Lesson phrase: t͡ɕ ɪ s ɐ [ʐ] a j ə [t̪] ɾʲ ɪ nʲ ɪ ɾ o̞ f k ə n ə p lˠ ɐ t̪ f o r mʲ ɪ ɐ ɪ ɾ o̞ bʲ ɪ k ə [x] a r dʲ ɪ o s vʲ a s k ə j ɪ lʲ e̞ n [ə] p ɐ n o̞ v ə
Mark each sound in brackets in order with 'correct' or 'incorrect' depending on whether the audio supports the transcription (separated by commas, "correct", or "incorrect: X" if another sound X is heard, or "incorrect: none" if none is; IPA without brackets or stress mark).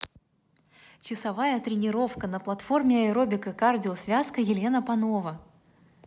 incorrect: v, correct, incorrect: k, correct